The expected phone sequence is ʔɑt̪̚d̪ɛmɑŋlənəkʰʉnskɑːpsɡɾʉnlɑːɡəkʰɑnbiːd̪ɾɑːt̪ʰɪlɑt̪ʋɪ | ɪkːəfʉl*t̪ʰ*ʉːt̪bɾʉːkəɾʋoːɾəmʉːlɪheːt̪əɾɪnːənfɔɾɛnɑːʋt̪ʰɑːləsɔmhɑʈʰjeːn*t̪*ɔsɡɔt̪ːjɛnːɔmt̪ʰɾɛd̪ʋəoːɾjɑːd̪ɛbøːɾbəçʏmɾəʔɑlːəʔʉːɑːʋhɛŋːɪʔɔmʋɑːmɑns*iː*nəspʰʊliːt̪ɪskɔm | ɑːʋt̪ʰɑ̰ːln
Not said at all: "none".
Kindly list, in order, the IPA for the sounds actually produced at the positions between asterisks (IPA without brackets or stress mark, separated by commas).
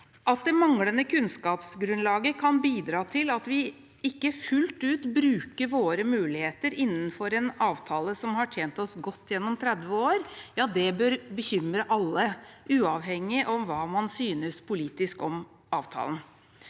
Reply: t̪, t̪, yː